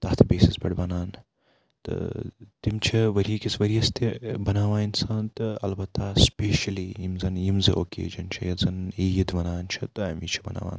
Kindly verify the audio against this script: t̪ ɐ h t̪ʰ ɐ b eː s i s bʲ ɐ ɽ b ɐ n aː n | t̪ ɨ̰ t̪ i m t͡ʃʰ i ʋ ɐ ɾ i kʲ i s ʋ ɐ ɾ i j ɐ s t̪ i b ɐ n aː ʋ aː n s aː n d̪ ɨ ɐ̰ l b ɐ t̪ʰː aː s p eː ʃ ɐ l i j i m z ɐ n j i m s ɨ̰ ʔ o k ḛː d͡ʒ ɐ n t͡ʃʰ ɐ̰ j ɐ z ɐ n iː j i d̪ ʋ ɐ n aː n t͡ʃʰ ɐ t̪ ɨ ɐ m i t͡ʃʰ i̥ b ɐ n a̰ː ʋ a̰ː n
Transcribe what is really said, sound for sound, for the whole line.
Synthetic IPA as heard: t̪ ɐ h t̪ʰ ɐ b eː s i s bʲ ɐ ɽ b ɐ n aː n | t̪ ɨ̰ t̪ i m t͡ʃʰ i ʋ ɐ ɾ i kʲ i s ʋ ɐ ɾ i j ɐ s t̪ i b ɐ n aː ʋ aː n s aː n t̪ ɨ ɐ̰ l b ɐ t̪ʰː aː s p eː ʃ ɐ l i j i m z ɐ n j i m z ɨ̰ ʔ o k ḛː d͡ʒ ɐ n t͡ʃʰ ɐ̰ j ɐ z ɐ n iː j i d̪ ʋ ɐ n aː n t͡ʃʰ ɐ t̪ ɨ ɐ m i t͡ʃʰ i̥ b ɐ n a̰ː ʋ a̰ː n